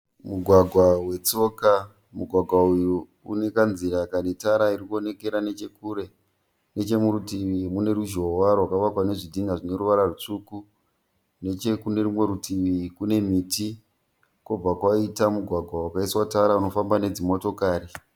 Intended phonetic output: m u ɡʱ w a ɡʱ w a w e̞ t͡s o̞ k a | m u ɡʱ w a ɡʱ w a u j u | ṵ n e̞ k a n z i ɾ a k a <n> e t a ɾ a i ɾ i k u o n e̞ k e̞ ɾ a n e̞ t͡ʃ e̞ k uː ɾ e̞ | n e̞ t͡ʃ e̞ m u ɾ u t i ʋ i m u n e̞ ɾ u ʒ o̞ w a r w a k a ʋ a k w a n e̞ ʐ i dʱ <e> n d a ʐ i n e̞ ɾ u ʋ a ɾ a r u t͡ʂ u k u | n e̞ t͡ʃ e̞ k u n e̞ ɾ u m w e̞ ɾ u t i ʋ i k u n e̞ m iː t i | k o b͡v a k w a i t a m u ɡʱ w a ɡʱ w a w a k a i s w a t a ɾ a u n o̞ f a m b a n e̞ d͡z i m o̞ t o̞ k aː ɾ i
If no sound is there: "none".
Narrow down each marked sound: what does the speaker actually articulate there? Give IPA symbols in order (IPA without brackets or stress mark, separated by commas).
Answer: n, i